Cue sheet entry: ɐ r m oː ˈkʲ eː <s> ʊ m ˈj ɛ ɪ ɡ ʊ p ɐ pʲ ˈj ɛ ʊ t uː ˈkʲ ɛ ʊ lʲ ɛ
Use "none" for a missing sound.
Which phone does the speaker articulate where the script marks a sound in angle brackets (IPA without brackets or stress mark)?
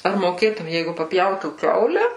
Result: t